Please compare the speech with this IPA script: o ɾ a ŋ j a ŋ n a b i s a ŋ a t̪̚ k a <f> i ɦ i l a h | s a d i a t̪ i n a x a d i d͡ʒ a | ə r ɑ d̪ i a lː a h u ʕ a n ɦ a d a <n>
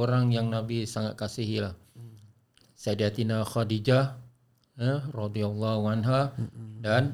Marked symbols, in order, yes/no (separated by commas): no, yes